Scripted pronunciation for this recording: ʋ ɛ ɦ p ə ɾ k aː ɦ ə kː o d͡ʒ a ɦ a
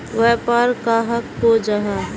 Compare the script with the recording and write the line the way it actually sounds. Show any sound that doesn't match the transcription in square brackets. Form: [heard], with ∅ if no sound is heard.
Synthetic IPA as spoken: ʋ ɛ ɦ p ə ɾ k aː ɦ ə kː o d͡ʒ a ɦ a

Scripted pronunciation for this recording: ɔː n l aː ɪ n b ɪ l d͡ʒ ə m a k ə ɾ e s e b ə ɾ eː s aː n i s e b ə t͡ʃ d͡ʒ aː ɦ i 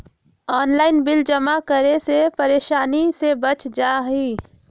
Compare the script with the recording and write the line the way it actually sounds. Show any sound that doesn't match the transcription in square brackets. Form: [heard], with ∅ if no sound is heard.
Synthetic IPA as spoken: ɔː n l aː ɪ n b ɪ l d͡ʒ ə m a k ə ɾ e s e [p] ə ɾ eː [ʃ] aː n i s e b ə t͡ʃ d͡ʒ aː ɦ i

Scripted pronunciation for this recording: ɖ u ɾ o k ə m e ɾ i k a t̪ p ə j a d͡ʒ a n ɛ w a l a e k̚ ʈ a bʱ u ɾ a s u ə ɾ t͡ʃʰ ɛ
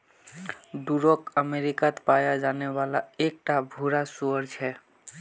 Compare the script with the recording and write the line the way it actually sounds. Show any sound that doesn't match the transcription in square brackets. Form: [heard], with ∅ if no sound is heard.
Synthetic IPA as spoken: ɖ u ɾ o k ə m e ɾ i k a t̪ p [a] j a d͡ʒ a n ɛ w a l a e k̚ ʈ a bʱ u ɾ a s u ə ɾ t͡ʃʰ ɛ

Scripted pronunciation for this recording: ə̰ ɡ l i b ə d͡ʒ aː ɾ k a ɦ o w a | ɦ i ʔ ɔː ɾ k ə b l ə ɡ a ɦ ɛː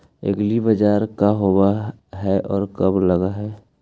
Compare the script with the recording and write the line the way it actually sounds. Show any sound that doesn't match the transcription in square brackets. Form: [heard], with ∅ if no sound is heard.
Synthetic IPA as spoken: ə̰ ɡ l i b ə d͡ʒ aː ɾ k a ɦ o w a | ɦ [ɛ] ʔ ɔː ɾ k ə b l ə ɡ a ɦ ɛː

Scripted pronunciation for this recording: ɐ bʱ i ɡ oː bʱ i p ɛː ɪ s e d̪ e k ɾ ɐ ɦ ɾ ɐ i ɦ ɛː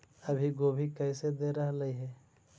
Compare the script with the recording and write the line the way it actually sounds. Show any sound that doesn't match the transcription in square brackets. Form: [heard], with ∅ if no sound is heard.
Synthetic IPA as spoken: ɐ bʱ i ɡ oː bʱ i [k] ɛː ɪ s e d̪ e [∅] ɾ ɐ ɦ [l] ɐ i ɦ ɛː

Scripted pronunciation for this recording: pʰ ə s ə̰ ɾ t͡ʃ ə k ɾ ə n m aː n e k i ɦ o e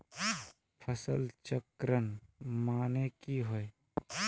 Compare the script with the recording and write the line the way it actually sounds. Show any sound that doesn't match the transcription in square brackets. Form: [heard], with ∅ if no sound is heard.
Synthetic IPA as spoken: pʰ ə s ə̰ [l] t͡ʃ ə k ɾ ə n m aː n e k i ɦ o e

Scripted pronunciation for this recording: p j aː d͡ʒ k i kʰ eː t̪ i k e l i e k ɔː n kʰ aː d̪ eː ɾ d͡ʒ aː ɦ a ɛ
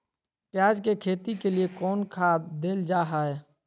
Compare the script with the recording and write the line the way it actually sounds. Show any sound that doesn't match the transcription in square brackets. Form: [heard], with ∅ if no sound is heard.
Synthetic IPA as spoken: p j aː d͡ʒ k [e] kʰ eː t̪ i k e l i e k ɔː n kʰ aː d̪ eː [l] d͡ʒ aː ɦ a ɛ

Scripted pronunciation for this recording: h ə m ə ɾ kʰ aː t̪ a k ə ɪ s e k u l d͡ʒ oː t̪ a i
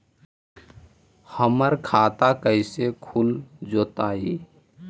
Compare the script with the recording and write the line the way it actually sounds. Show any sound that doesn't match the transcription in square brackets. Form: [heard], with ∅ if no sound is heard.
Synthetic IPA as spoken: h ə m ə ɾ kʰ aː t̪ a k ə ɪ s e [kʰ] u l d͡ʒ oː t̪ a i

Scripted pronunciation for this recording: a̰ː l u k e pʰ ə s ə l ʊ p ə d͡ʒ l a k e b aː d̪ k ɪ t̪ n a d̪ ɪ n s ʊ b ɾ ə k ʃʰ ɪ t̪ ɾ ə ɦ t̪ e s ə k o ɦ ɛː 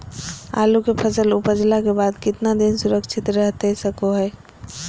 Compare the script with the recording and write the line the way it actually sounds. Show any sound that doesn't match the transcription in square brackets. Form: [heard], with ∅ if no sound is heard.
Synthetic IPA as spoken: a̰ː l u k e pʰ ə s ə l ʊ p ə d͡ʒ l a k e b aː d̪ k ɪ t̪ n a d̪ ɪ n s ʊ [∅] ɾ ə k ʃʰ ɪ t̪ ɾ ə ɦ t̪ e s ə k o ɦ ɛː

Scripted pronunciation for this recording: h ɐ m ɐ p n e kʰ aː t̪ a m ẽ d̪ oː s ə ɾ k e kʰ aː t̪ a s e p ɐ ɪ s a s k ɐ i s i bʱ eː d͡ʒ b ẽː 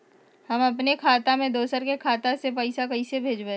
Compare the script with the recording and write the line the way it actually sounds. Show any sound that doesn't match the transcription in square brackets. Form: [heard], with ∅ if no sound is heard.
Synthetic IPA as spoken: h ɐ m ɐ p n e kʰ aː t̪ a m ẽ d̪ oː s ə ɾ k e kʰ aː t̪ a s e p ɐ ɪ s a [∅] k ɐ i s [e] bʱ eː d͡ʒ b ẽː

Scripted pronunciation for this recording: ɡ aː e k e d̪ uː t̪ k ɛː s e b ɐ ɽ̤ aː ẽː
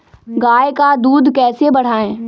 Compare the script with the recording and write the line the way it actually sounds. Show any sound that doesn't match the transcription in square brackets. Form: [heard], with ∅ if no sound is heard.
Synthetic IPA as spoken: ɡ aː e k [a] d̪ uː [d̪] k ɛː s e b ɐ ɽ̤ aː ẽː

